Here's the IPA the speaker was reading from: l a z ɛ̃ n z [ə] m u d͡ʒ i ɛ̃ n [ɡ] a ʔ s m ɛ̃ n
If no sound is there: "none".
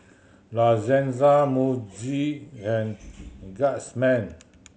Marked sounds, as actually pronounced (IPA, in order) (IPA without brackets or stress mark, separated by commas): a, ɡ